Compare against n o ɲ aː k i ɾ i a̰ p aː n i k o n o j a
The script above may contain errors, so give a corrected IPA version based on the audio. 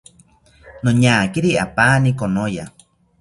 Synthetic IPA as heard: n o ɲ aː k i ɾ i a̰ p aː n i k o n o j a